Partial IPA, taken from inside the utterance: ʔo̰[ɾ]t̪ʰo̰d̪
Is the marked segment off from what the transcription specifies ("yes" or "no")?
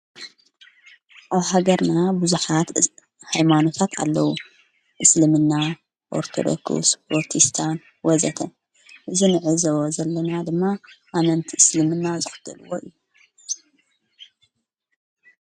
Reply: no